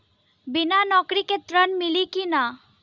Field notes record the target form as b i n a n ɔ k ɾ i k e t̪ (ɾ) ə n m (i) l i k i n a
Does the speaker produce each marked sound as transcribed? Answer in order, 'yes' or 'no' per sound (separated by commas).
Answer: yes, yes